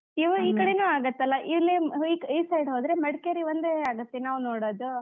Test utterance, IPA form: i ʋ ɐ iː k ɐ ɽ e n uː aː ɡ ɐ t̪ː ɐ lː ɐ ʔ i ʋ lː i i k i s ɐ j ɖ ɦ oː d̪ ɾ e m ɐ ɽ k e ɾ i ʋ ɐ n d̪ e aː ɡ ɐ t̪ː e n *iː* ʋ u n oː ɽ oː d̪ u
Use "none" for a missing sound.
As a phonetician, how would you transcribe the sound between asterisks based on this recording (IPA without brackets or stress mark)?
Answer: aː